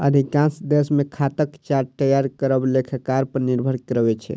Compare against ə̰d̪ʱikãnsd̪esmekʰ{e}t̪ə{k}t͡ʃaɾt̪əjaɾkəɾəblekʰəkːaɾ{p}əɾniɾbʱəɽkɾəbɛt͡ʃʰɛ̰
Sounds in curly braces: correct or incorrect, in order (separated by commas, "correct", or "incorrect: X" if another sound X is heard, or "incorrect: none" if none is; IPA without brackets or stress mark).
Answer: incorrect: a, correct, correct